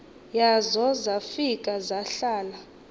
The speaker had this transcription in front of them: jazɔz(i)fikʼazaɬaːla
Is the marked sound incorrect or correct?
incorrect